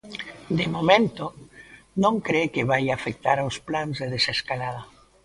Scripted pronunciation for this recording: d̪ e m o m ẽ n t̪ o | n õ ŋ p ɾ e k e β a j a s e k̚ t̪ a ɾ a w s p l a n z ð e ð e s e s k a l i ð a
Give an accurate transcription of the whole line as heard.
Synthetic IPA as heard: d̪ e m o m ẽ n t̪ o | n õ ŋ k ɾ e k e β a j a f e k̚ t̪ a ɾ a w s p l a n z ð e ð e s e s k a l a ð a